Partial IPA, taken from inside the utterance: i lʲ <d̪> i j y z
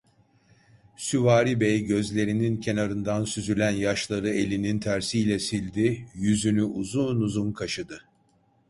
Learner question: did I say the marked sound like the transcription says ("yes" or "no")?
yes